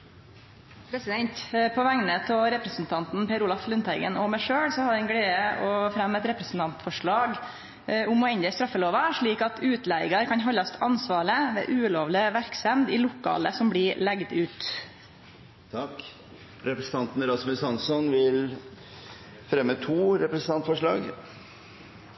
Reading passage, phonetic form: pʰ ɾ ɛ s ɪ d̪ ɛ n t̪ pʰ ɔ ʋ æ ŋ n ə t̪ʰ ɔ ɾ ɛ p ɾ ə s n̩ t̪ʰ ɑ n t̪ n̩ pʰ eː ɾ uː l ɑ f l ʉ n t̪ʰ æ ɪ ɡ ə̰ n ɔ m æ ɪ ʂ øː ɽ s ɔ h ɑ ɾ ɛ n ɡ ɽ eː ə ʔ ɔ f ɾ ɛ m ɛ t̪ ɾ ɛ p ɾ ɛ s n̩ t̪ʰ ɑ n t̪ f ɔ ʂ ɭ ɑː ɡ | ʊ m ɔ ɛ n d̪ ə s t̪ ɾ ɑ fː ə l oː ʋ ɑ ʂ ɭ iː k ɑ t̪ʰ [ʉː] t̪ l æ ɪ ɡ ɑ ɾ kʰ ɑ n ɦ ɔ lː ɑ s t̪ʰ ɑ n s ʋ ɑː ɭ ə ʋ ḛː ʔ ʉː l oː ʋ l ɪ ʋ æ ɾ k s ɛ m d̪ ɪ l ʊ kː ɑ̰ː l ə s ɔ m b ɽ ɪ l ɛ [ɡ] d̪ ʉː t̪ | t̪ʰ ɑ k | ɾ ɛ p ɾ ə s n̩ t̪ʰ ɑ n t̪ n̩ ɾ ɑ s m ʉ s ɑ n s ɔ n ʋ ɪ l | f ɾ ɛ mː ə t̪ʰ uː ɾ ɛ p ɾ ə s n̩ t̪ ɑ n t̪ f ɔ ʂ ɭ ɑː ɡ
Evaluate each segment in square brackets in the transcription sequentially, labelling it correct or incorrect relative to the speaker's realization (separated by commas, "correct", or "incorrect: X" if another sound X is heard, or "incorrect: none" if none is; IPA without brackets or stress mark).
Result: correct, correct